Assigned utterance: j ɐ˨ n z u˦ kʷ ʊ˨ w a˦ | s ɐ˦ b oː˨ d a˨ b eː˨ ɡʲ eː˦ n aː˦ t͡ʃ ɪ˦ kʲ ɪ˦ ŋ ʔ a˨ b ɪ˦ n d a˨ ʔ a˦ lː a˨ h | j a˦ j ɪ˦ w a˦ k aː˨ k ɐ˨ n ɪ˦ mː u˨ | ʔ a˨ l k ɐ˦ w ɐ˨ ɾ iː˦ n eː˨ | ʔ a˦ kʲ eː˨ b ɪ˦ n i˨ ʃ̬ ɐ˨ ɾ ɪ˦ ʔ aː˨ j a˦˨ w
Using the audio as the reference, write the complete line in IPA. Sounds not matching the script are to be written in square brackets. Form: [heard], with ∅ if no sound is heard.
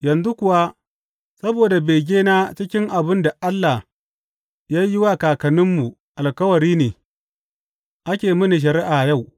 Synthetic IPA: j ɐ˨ n z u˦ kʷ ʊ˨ w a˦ | s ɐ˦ b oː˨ d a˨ b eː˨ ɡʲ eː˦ n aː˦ t͡ʃ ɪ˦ kʲ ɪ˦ ŋ ʔ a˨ b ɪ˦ n d a˨ ʔ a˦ lː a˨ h | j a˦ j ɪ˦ w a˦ k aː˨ k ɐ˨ n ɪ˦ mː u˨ | ʔ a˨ l k ɐ˦ w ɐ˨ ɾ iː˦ n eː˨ | ʔ a˦ kʲ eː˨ [m] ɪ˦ n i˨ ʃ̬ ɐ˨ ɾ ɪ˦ ʔ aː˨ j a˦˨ w